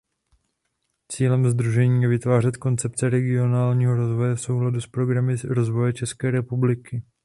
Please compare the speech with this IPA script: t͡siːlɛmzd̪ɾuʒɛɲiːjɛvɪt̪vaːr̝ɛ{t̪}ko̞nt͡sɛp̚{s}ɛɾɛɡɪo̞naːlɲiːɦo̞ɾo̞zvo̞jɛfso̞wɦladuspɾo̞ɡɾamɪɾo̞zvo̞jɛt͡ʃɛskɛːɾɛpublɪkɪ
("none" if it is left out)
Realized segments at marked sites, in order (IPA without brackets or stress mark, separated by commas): t̪, t͡s